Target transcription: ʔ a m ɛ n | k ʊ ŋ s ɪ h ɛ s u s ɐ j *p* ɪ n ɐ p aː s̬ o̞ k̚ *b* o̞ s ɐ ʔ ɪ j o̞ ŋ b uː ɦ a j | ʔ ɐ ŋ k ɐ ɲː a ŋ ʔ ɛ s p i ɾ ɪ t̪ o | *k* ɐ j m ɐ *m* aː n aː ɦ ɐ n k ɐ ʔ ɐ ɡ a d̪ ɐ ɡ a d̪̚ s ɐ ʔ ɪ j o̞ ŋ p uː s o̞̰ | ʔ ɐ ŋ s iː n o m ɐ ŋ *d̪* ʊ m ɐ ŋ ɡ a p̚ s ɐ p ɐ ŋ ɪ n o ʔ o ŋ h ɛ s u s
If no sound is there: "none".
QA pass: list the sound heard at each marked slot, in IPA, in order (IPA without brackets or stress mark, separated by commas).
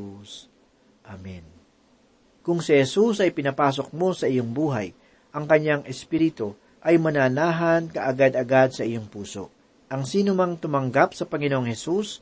p, m, ʔ, n, t̪